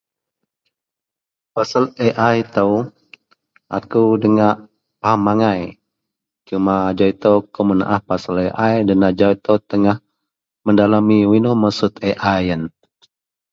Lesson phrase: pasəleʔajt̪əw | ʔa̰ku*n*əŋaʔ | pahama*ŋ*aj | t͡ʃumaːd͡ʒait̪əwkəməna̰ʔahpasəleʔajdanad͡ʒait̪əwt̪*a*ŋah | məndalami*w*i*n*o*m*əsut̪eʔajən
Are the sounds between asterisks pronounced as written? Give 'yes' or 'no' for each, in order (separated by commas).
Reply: no, yes, no, yes, yes, yes